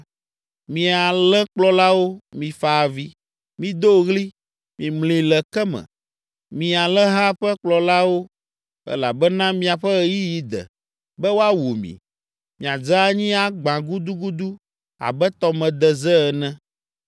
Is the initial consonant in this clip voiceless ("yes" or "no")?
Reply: no